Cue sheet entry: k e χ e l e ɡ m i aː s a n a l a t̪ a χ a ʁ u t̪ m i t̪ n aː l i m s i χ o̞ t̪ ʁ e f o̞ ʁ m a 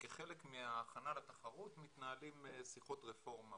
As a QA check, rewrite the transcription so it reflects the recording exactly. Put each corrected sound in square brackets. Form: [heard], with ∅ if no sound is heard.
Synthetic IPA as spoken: k e χ e l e [k] m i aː [χ] a n a l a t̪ a χ a ʁ u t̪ m i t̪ n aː l i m s i χ o̞ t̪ ʁ e f o̞ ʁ m a